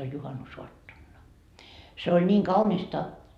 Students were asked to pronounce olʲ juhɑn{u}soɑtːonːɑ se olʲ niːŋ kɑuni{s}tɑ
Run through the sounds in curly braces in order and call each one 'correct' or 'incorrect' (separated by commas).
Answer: correct, correct